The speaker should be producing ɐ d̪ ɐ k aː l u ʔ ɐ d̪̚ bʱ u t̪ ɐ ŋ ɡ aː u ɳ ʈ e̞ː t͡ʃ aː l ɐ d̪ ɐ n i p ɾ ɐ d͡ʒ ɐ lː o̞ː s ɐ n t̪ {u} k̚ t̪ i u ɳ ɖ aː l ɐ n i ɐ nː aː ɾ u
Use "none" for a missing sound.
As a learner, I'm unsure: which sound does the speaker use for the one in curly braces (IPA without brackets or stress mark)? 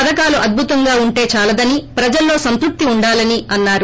u